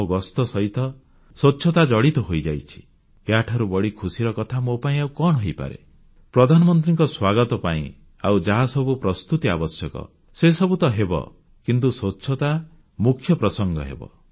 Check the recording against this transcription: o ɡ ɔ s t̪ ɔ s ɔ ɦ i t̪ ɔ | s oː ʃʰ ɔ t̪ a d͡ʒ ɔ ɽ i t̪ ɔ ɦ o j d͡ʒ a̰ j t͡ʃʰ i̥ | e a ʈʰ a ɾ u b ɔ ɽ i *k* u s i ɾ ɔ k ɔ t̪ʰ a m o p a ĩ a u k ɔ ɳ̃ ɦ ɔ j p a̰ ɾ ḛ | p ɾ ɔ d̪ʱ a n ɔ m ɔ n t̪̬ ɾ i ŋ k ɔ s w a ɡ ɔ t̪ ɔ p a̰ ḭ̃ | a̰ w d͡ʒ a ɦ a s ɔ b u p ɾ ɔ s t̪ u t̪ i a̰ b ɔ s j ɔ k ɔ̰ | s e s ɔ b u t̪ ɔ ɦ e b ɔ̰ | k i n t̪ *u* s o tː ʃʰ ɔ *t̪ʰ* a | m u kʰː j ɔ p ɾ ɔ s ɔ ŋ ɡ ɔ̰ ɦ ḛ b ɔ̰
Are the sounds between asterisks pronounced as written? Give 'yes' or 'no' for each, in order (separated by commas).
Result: no, yes, no